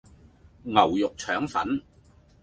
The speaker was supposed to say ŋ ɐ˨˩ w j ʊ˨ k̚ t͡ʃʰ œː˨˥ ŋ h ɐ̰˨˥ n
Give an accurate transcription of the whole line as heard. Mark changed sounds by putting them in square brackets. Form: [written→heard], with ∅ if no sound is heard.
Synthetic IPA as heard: ŋ ɐ˨˩ w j ʊ˨ k̚ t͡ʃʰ œː˨˥ ŋ [h→f] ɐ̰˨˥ n

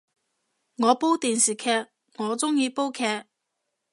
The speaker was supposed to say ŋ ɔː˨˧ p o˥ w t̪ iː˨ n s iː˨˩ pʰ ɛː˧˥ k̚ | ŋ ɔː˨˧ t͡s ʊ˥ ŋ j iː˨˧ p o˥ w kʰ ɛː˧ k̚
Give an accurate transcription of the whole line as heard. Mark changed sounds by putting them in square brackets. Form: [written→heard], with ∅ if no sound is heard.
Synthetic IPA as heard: ŋ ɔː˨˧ p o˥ w t̪ iː˨ n s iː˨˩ [pʰ→kʰ] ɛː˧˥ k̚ | ŋ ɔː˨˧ t͡s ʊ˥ ŋ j iː˨˧ p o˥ w kʰ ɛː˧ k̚

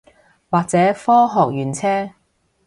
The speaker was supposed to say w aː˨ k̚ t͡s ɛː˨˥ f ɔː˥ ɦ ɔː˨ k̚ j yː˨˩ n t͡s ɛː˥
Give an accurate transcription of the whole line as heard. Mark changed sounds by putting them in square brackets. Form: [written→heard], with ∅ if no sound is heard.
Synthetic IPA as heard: w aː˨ k̚ t͡s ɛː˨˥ f ɔː˥ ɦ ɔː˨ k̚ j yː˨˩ n [t͡s→t͡sʰ] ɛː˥

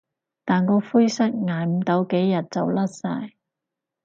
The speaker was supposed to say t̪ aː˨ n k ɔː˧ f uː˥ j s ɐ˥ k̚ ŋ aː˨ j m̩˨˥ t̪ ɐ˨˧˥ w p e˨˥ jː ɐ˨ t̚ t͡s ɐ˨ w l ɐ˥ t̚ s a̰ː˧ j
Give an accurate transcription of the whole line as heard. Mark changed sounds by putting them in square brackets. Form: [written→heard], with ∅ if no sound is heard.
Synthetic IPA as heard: t̪ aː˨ n k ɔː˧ f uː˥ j s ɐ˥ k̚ ŋ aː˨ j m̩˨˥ t̪ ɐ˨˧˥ w [p→k] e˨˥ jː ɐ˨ t̚ t͡s ɐ˨ w l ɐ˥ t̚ s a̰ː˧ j

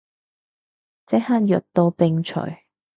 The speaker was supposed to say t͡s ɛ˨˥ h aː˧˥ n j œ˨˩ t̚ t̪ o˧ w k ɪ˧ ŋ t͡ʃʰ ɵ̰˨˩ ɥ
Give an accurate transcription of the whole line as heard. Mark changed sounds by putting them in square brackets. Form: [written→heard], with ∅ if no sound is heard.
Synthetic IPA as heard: t͡s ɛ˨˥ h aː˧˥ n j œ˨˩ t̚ t̪ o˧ w [k→p] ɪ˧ ŋ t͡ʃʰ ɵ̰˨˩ ɥ

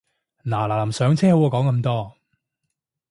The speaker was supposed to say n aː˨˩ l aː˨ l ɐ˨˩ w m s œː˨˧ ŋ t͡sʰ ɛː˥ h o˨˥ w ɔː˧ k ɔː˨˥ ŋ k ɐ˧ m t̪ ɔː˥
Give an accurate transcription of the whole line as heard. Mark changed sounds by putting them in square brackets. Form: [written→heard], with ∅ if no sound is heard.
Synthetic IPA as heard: n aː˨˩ l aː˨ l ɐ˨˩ [w→∅] m s œː˨˧ ŋ t͡sʰ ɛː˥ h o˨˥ w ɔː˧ k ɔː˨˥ ŋ k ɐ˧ m t̪ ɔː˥

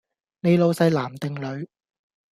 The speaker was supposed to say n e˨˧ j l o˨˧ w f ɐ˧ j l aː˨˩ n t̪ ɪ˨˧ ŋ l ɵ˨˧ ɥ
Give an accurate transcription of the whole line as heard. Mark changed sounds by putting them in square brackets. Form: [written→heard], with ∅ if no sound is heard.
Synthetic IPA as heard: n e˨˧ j l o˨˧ w [f→s] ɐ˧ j l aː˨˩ [n→m] t̪ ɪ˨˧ ŋ l ɵ˨˧ ɥ

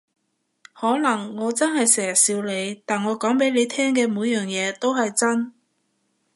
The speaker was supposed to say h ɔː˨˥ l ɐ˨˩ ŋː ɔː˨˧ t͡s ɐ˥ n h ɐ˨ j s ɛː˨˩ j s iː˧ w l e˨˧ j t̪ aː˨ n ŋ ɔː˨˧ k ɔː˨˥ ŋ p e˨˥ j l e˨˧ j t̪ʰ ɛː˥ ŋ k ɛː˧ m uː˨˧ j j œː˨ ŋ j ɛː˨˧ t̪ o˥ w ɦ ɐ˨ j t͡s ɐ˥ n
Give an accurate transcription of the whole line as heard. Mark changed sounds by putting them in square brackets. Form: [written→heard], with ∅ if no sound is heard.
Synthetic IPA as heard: h ɔː˨˥ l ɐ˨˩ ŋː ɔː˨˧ t͡s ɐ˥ n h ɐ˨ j s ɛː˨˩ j s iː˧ w l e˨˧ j t̪ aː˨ n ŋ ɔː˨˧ k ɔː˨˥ ŋ p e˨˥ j l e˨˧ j t̪ʰ ɛː˥ ŋ k ɛː˧ m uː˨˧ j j œː˨ ŋ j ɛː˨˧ t̪ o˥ w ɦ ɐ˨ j t͡s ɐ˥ n

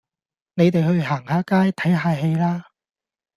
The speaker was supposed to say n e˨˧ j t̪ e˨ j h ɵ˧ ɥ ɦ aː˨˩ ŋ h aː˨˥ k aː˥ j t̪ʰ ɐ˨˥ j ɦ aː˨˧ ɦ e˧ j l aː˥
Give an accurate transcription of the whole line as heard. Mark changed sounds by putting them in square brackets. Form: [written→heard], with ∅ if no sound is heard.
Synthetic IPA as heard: n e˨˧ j t̪ e˨ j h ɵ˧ ɥ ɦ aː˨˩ ŋ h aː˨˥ k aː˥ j t̪ʰ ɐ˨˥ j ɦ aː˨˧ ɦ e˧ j l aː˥

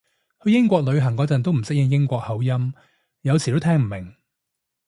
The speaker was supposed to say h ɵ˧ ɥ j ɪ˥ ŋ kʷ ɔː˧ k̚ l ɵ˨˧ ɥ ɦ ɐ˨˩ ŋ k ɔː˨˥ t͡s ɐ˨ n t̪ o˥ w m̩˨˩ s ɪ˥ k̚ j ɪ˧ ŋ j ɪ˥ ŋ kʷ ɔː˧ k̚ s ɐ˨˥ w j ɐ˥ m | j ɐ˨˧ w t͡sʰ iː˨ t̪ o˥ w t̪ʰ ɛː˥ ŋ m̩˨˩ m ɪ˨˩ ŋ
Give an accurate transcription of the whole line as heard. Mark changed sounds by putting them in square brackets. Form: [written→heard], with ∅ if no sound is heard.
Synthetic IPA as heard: h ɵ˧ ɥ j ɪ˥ ŋ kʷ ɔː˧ k̚ l ɵ˨˧ ɥ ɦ ɐ˨˩ ŋ k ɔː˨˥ t͡s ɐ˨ n t̪ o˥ w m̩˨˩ s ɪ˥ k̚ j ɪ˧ ŋ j ɪ˥ ŋ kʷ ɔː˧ k̚ [s→h] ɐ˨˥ w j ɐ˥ m | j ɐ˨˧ w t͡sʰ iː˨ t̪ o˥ w t̪ʰ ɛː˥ ŋ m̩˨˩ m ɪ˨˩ ŋ

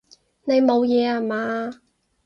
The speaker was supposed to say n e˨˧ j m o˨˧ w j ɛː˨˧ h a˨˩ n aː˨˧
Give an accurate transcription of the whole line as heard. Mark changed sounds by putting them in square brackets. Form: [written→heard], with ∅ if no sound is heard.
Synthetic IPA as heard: n e˨˧ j m o˨˧ w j ɛː˨˧ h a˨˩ [n→m] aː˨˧

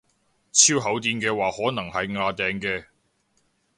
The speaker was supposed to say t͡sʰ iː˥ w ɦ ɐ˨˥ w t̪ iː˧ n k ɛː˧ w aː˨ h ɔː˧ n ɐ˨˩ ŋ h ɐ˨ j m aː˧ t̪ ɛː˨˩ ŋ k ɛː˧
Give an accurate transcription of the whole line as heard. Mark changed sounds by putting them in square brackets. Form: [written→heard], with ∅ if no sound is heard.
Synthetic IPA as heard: t͡sʰ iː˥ w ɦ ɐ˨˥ w t̪ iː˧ n k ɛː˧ w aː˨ h [ɔː˧→ɔː˨˥] n ɐ˨˩ ŋ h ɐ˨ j [m→ŋ] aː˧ t̪ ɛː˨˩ ŋ k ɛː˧

